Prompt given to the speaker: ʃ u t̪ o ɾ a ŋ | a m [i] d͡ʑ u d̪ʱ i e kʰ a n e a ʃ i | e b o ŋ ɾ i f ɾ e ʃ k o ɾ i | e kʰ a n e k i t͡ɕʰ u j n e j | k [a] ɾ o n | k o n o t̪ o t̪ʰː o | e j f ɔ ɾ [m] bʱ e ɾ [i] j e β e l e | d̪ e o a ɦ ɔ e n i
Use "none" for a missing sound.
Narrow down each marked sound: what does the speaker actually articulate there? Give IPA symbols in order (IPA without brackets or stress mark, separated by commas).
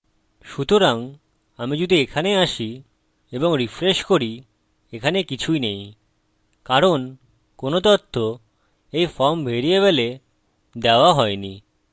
i, a, m, i